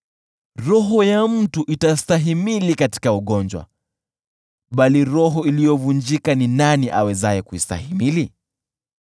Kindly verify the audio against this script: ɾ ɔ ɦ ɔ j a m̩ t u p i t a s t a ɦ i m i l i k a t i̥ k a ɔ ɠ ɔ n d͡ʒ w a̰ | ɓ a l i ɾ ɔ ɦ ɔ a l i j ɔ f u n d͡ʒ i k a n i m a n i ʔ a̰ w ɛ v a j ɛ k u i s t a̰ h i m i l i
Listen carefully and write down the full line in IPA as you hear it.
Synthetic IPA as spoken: ɾ ɔ ɦ ɔ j a m̩ t u ʔ i t a s t a ɦ i m i l i k a t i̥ k a u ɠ ɔ n d͡ʒ w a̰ | ɓ a l i ɾ ɔ ɦ ɔ i l i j ɔ v u n d͡ʒ i k a n i n a n i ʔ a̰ w ɛ z a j ɛ k u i s t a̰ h i m i l i